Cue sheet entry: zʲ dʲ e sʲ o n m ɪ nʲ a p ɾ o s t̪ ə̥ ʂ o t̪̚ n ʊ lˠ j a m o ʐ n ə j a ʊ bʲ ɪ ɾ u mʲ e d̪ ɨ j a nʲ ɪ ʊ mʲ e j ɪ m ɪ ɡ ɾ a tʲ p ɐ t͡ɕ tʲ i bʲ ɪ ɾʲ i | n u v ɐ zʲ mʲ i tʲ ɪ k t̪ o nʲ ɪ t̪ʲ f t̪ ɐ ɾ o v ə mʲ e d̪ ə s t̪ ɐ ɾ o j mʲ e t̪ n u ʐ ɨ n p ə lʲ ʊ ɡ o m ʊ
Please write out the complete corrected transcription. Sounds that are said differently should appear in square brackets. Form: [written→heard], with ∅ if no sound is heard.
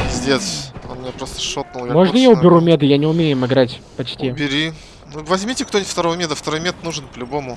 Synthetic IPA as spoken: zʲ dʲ e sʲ o n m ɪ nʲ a p ɾ o s t̪ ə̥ ʂ o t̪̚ n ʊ lˠ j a m o ʐ n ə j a ʊ bʲ ɪ ɾ u mʲ e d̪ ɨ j a nʲ ɪ ʊ mʲ e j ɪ m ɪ ɡ ɾ a tʲ p ɐ t͡ɕ tʲ i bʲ ɪ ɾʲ i | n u v ɐ zʲ mʲ i tʲ ɪ k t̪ o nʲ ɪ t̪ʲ f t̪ ɐ ɾ o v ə mʲ e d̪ ə [s→f] t̪ ɐ ɾ o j mʲ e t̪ n u ʐ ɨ n p ə lʲ ʊ [ɡ→b] o m ʊ